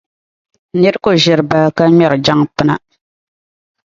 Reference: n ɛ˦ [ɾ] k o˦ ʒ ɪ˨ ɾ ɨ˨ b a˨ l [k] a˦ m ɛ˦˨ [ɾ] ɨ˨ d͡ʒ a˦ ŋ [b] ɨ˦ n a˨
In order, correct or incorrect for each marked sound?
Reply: correct, correct, correct, incorrect: p

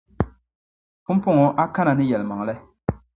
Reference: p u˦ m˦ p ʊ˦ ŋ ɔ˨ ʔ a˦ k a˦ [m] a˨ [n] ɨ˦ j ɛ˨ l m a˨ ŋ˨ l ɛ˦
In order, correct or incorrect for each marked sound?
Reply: incorrect: n, correct

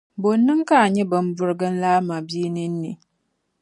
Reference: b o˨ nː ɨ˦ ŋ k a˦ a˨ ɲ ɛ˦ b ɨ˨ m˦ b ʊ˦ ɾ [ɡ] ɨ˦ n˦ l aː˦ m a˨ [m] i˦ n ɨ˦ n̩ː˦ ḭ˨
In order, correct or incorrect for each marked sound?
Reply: correct, incorrect: b

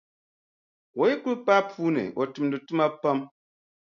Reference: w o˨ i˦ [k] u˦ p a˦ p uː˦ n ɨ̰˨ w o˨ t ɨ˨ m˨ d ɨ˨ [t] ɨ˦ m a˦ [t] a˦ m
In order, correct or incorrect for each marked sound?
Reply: correct, correct, incorrect: p

